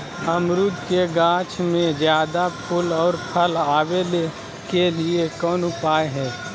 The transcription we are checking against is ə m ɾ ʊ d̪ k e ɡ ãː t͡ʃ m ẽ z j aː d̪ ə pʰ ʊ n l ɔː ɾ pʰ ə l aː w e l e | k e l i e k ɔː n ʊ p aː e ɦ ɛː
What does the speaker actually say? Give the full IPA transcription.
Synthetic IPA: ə m ɾ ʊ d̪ k e ɡ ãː t͡ʃ m ẽ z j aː d̪ a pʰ ʊ l ɔː ɾ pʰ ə l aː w e l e | k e l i e k ɔː n ʊ p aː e ɦ ɛː